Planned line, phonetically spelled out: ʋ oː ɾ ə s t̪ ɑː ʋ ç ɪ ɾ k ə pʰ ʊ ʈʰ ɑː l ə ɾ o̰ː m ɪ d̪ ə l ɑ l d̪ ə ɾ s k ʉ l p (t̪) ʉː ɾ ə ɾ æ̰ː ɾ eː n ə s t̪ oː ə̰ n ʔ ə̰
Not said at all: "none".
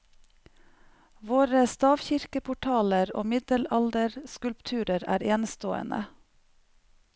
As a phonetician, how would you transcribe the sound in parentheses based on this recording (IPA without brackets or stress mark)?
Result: t̪ʰ